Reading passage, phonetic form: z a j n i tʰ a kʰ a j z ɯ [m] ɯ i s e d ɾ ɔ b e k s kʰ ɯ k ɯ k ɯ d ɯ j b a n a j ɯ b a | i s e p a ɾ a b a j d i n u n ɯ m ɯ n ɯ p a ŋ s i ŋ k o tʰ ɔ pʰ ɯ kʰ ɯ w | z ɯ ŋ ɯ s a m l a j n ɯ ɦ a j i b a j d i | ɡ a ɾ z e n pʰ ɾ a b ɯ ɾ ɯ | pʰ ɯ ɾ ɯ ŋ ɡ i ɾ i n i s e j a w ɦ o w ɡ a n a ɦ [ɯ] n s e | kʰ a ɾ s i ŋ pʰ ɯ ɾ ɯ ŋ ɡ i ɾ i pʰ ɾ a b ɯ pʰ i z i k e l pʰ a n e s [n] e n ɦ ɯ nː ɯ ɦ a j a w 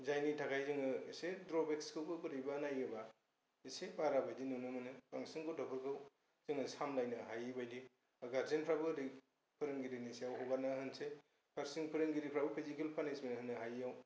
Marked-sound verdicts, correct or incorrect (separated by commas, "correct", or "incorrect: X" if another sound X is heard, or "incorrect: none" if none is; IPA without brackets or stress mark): incorrect: ŋ, correct, incorrect: m